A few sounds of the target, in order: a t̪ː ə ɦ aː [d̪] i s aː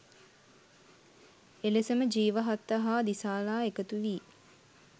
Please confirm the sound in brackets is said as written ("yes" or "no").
yes